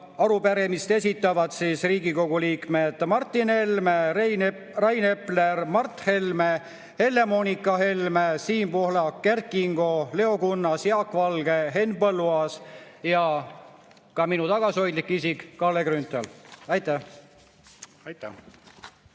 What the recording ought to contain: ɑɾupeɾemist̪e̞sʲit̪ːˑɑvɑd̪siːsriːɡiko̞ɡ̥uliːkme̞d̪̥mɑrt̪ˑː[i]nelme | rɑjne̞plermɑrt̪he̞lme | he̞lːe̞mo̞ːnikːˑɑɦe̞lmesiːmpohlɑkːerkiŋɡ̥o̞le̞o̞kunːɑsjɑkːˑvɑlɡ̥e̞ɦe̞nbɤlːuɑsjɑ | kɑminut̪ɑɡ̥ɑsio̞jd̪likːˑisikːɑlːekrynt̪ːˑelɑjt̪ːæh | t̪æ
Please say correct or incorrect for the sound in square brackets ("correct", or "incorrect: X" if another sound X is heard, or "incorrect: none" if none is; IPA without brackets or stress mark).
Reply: correct